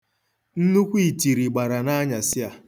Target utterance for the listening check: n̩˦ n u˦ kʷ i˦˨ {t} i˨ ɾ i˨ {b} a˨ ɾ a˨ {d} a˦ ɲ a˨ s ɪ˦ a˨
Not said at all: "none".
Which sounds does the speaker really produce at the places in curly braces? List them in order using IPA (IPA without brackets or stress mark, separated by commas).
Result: t, ɡ͡b, n